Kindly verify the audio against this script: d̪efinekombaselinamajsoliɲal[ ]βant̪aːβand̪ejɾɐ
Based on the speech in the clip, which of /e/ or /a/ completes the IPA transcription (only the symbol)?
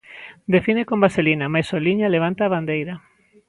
e